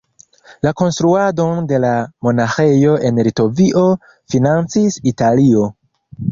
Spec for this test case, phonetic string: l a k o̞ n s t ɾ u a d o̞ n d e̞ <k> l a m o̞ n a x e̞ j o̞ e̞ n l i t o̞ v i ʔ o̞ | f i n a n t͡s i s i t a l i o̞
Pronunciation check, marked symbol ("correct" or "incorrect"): incorrect